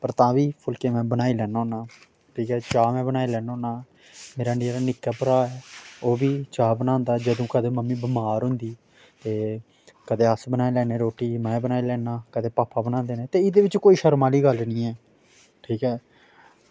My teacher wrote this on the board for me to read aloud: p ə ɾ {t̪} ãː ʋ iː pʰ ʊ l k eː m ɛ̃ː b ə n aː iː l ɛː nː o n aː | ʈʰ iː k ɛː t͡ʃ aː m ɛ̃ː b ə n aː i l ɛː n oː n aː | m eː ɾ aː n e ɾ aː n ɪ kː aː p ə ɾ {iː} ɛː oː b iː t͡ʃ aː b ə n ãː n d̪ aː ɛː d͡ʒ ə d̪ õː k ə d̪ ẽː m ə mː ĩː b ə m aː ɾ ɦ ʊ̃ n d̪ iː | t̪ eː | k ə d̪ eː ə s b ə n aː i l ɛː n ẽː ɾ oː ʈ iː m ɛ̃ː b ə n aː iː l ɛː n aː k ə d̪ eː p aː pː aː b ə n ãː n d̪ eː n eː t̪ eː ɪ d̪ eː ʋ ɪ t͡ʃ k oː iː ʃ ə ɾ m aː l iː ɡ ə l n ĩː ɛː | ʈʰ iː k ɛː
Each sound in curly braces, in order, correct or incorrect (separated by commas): correct, incorrect